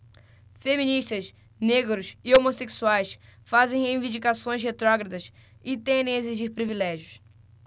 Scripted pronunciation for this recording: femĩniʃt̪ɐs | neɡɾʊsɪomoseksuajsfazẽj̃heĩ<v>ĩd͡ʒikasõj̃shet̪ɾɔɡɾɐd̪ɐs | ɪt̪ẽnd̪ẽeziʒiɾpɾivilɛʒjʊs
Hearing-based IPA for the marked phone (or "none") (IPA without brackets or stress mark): v